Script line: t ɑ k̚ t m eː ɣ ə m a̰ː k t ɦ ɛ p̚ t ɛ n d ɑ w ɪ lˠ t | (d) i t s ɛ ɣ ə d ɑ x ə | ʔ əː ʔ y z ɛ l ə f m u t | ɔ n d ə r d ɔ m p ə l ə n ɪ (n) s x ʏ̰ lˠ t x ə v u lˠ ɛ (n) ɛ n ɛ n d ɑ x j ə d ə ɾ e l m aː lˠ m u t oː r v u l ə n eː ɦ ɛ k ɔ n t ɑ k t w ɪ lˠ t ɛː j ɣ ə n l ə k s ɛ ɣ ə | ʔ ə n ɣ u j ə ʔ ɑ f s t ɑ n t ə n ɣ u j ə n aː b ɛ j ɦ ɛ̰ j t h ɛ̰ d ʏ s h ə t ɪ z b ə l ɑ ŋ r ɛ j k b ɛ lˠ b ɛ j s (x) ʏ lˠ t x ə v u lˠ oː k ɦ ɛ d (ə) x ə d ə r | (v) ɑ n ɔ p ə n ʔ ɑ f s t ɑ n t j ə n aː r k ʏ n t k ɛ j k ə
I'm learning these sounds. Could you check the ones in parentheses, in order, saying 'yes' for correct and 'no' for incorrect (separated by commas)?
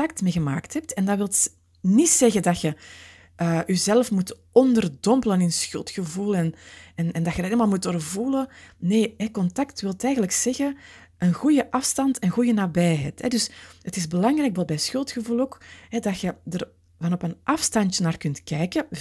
no, yes, yes, yes, no, yes